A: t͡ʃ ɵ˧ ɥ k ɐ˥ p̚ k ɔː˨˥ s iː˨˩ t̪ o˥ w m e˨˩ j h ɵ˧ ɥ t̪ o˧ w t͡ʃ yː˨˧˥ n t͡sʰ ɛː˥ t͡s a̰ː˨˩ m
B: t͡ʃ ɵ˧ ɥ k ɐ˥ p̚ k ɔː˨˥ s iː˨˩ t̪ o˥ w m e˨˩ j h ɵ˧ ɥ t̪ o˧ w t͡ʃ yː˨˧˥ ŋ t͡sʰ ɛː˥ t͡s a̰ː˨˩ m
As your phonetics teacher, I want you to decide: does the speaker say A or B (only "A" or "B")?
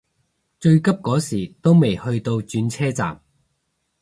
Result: A